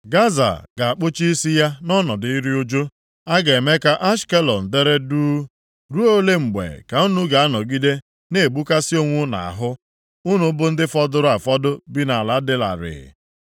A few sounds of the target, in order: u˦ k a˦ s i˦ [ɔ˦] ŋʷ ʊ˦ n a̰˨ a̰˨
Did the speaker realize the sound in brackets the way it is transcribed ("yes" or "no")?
no